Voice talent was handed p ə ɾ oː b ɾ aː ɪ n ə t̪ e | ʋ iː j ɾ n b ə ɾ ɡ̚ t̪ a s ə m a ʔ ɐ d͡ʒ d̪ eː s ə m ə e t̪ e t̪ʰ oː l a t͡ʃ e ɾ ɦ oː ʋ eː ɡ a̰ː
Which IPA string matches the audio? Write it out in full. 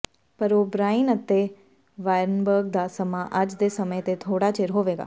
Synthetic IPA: p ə ɾ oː b ɾ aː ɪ n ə t̪ e | ʋ aː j ɾ n b ə ɾ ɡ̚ d̪ a s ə m a ʔ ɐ d͡ʒ d̪ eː s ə m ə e t̪ e t̪ʰ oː ɽ a t͡ʃ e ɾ ɦ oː ʋ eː ɡ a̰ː